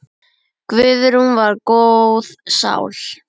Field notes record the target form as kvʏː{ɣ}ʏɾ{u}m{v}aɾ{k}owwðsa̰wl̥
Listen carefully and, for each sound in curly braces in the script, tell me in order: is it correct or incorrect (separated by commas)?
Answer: incorrect, correct, correct, correct